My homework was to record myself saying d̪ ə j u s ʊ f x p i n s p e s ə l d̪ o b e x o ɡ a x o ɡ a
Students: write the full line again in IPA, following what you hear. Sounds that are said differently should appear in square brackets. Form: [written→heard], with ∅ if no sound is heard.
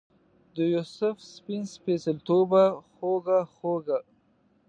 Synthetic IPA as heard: d̪ ə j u s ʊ f [x→s] p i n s p e s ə l [d̪→t̪] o b [e→a] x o ɡ a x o ɡ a